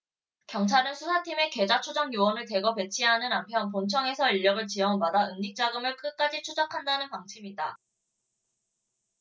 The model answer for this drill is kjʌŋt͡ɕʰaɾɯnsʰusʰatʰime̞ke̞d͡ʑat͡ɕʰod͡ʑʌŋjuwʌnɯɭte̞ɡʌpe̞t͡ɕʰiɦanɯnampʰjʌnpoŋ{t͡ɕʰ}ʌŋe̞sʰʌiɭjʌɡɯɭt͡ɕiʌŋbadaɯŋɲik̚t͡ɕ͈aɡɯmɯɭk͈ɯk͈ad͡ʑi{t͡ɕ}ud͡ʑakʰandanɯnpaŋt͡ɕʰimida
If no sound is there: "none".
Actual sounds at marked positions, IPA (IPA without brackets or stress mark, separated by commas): t͡ɕʰ, t͡ɕʰ